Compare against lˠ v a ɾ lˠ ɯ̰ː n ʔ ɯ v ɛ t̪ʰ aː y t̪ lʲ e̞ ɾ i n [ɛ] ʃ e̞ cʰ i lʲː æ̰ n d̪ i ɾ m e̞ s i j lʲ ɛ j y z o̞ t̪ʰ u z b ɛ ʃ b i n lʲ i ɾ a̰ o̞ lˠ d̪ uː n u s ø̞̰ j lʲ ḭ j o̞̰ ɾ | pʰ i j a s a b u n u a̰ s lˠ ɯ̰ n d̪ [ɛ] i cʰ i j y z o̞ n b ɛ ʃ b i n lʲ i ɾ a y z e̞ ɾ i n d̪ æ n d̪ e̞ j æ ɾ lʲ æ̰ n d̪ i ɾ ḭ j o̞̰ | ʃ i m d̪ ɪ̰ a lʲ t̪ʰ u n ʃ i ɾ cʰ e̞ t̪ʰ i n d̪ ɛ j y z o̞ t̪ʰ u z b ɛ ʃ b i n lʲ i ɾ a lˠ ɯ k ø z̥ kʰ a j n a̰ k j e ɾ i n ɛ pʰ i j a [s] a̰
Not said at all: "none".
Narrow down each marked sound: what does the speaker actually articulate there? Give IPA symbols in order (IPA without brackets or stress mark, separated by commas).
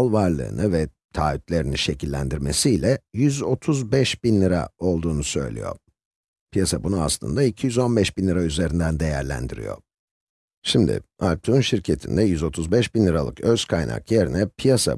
i, a, s